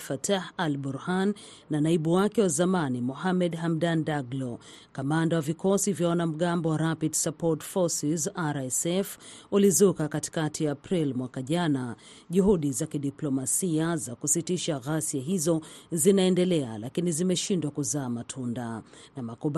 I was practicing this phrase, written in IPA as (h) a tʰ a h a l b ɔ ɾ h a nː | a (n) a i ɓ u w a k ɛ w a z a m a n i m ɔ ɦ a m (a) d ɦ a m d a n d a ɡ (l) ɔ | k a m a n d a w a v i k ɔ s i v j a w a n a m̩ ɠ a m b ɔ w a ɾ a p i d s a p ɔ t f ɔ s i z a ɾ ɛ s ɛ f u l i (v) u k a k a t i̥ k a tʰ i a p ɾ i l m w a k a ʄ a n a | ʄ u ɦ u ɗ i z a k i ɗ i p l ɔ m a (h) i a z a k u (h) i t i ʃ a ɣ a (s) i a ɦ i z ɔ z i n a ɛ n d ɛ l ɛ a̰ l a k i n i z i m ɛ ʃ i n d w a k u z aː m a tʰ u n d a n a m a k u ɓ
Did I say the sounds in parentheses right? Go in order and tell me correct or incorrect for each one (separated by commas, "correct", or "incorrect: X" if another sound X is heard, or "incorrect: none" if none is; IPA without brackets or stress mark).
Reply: incorrect: f, correct, incorrect: ɛ, correct, incorrect: z, incorrect: s, incorrect: s, correct